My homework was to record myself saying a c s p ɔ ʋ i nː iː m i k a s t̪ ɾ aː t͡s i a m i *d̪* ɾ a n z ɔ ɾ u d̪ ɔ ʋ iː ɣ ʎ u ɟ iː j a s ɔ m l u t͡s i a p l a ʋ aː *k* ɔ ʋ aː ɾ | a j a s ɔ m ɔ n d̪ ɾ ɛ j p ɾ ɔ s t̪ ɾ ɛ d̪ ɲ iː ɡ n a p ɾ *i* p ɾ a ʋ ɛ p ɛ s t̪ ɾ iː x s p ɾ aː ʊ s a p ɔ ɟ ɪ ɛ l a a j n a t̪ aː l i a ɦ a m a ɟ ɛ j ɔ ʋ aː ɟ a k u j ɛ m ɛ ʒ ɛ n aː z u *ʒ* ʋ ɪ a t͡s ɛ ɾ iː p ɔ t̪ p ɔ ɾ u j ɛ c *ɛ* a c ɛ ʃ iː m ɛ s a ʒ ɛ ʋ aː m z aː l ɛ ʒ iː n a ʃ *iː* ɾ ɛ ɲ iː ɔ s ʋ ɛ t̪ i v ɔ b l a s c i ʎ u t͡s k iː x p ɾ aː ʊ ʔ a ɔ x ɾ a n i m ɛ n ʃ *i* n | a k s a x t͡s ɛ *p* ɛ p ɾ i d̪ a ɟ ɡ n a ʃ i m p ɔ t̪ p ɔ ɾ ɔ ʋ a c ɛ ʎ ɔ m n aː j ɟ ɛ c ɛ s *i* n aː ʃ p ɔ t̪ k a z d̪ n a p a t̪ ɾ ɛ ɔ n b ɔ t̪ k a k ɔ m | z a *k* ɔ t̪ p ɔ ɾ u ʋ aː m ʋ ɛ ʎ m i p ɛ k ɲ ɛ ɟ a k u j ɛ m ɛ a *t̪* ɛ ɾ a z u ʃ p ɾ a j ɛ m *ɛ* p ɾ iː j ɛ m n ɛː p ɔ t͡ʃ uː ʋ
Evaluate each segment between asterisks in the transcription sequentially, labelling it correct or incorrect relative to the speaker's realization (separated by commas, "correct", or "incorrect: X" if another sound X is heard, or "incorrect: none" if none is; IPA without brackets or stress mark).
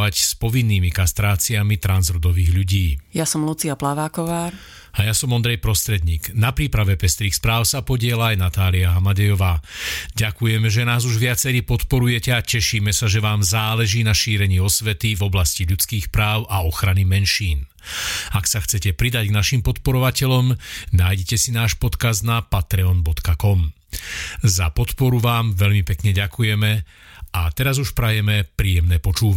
incorrect: t̪, correct, incorrect: iː, correct, correct, correct, incorrect: iː, incorrect: c, correct, incorrect: p, correct, correct